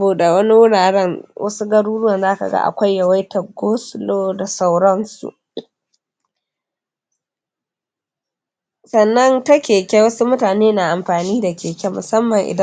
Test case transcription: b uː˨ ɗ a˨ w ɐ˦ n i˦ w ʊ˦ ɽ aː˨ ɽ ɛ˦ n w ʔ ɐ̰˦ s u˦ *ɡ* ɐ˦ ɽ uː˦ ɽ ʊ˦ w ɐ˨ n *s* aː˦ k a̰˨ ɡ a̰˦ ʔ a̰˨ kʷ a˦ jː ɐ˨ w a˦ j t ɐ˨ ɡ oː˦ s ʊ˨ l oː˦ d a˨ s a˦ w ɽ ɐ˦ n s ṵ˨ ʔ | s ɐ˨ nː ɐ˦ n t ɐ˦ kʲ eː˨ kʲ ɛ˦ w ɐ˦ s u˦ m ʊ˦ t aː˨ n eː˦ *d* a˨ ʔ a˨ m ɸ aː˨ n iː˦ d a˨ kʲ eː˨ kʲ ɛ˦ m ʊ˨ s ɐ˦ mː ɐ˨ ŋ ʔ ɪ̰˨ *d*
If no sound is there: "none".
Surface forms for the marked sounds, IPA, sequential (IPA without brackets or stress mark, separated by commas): ɡ, z, n, d